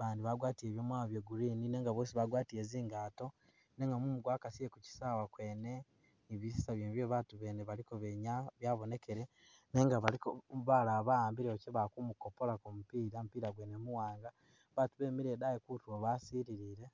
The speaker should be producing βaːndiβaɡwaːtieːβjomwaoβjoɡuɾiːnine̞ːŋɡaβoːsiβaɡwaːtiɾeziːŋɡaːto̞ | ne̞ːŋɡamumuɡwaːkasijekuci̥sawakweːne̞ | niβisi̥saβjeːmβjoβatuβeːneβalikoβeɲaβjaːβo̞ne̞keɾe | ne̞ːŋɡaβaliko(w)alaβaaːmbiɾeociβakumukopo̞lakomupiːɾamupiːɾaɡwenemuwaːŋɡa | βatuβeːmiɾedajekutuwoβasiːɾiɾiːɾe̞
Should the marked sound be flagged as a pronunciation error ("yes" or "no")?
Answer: yes